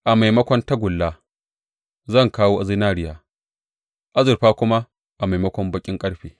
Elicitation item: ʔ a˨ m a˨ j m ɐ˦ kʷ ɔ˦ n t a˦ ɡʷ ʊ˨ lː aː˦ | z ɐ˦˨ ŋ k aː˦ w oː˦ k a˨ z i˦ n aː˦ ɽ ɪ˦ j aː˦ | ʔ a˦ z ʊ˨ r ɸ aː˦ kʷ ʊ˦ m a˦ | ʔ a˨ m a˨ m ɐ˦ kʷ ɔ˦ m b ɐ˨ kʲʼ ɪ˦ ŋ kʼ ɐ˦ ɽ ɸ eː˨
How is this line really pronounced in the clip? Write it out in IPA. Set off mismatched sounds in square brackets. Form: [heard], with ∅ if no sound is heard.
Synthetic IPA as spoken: ʔ a˨ m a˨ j m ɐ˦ kʷ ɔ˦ n t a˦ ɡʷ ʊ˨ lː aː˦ | z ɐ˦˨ ŋ k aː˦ w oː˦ [ʔ] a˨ z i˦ n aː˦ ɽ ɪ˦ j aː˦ | ʔ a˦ z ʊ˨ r ɸ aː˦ kʷ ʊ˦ m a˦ | ʔ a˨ m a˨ m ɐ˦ kʷ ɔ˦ m b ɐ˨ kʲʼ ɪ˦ ŋ kʼ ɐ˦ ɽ ɸ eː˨

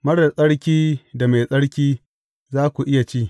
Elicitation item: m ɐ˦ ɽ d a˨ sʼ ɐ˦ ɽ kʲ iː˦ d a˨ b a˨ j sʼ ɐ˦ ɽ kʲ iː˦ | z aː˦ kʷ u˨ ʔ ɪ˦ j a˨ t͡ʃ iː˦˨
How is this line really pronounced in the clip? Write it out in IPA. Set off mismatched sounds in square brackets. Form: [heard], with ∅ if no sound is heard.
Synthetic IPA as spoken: m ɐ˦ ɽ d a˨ sʼ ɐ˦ ɽ kʲ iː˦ d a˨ [m] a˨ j sʼ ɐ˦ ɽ kʲ iː˦ | z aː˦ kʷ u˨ ʔ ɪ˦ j a˨ t͡ʃ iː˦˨

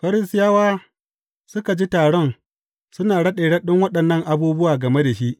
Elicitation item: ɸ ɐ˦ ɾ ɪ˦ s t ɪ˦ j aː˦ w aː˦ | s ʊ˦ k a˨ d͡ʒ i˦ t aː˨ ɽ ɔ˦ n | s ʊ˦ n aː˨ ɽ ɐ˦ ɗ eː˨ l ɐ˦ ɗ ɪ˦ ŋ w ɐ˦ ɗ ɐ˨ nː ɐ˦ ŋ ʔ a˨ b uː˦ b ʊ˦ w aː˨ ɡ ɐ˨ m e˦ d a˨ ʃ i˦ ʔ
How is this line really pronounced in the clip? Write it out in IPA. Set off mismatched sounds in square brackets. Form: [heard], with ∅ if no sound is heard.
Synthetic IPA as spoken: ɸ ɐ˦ ɾ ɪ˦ s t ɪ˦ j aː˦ w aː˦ | s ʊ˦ k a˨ d͡ʒ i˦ t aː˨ ɽ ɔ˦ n | s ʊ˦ n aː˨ ɽ ɐ˦ ɗ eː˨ [ɽ] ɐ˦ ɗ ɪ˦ ŋ w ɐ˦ ɗ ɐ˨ nː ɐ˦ ŋ ʔ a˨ b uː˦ b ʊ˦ w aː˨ ɡ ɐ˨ m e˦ d a˨ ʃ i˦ ʔ

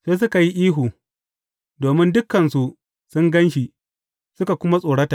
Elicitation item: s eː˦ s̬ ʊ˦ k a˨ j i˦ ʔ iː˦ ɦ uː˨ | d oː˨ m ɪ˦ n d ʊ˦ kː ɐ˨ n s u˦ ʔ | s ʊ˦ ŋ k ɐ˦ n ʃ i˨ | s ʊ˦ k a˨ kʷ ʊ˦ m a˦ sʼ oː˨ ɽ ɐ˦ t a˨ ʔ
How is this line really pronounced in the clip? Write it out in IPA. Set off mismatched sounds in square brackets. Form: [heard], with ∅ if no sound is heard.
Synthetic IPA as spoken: s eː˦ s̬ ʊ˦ k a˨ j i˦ ʔ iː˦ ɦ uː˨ | d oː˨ m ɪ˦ n d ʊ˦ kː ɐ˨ n s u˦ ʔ | s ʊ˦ ŋ [ɡ] ɐ˦ n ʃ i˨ | s ʊ˦ k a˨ kʷ ʊ˦ m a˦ sʼ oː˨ ɽ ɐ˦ t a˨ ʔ

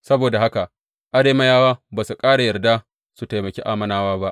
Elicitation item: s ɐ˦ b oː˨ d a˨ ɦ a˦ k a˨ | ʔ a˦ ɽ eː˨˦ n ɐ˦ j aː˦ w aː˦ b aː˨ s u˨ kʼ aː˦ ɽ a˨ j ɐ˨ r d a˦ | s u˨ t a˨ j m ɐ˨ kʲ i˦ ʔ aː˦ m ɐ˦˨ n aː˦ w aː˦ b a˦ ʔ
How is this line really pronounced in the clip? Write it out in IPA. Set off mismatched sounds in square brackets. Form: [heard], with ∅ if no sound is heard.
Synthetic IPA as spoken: s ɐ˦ b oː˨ d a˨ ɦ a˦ k a˨ | ʔ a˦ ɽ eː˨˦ [m] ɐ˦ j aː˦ w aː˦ b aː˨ s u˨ kʼ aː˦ ɽ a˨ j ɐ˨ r d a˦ | s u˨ t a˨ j m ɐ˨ kʲ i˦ ʔ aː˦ m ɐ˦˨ n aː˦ w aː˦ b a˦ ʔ

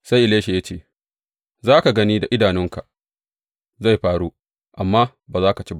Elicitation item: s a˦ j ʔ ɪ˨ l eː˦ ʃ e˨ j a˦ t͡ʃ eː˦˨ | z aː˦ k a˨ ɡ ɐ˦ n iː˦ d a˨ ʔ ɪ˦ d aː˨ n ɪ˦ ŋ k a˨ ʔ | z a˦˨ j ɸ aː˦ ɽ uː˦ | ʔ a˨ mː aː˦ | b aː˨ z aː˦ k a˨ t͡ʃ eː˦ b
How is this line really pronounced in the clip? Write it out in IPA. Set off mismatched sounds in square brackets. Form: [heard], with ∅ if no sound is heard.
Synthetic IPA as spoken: s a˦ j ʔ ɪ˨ l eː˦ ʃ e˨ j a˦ t͡ʃ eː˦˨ | z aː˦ k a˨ ɡ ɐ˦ n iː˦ d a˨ ʔ ɪ˦ d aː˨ n ɪ˦ ŋ k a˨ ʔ | z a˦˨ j ɸ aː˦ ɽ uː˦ | ʔ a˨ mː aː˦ | b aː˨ z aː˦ k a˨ t͡ʃ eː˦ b

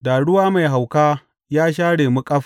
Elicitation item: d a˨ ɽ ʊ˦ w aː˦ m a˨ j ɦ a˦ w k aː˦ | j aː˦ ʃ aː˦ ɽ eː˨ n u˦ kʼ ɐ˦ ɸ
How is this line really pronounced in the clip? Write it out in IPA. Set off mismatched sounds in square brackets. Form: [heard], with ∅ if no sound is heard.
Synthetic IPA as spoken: d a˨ ɽ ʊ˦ w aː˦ m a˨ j ɦ [a˨] w k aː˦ | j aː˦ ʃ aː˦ ɽ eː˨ [m] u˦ kʼ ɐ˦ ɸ

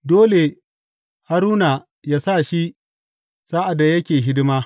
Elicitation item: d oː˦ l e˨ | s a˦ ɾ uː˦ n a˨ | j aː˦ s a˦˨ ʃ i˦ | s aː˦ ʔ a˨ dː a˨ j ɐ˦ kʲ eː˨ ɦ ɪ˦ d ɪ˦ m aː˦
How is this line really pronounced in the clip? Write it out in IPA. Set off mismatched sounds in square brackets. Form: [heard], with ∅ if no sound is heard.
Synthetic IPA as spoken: d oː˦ l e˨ | [h] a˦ ɾ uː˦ n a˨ | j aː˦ s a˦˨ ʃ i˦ | s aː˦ ʔ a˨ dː a˨ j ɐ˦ kʲ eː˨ ɦ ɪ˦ d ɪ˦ m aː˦

